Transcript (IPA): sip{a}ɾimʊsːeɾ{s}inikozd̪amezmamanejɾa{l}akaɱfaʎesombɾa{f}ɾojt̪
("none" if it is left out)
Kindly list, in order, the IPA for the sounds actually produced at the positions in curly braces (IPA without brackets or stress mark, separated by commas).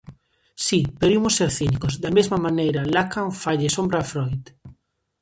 e, θ, l, f